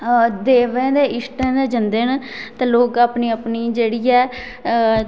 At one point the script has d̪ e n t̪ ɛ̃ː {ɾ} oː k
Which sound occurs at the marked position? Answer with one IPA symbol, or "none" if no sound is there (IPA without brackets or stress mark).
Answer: l